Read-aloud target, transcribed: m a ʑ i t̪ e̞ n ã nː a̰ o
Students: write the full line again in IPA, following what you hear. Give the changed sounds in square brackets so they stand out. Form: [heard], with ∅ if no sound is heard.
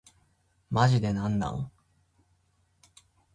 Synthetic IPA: m a ʑ i [d̪] e̞ n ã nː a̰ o